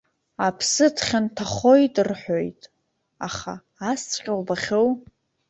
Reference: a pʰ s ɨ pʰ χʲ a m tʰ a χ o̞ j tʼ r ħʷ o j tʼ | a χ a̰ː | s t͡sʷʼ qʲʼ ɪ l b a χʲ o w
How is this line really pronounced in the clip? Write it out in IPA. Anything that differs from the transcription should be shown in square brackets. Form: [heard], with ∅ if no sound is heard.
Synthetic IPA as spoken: a pʰ s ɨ [tʰ] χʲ a [n] tʰ a χ o̞ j tʼ r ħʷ o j tʼ | a χ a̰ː | s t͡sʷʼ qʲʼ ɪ l b a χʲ o w